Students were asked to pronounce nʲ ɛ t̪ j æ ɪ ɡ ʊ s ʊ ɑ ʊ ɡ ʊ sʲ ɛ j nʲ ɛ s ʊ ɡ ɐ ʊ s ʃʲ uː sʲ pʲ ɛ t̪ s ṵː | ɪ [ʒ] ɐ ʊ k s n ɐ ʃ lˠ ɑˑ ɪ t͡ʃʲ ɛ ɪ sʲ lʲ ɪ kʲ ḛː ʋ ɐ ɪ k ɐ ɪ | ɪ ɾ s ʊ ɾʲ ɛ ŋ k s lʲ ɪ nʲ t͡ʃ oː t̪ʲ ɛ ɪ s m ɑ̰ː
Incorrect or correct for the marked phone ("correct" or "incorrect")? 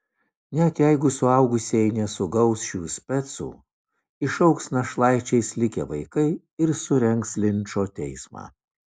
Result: incorrect